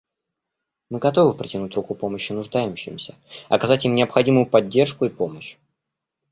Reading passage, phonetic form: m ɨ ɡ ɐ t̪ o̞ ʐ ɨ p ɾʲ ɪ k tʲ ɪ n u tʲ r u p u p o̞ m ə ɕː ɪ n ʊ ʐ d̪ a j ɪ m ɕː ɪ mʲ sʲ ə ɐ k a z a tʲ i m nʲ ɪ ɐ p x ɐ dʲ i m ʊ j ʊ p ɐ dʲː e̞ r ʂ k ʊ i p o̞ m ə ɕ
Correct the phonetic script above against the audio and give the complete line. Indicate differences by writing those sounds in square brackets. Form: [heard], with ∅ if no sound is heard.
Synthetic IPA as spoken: m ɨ ɡ ɐ t̪ o̞ [v] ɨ p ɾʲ ɪ [∅] tʲ ɪ n u tʲ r u [k] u p o̞ m ə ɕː ɪ n ʊ ʐ d̪ a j ɪ m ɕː ɪ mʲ sʲ ə ɐ k [ɐ] z a tʲ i m nʲ ɪ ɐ p x ɐ dʲ i m ʊ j ʊ p ɐ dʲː e̞ r ʂ k ʊ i p o̞ m ə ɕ